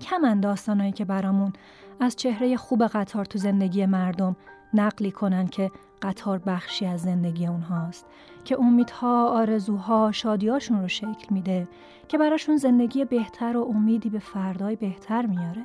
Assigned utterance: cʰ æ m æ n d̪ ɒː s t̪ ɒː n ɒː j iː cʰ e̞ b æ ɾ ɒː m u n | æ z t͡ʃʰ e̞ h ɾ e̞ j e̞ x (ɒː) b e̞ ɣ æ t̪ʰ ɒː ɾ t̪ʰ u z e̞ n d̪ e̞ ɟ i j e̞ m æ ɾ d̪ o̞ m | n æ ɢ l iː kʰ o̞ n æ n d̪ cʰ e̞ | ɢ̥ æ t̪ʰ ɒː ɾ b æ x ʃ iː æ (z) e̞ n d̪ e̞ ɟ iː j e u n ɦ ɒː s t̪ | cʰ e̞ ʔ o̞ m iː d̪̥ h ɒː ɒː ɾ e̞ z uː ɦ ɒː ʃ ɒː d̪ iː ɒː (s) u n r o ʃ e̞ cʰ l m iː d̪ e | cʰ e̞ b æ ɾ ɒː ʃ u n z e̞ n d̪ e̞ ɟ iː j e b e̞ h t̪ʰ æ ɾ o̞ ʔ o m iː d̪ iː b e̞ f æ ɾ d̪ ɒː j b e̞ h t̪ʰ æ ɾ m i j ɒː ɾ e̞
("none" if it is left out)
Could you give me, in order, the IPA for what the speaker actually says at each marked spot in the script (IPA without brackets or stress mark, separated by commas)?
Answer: uː, zː, ʃ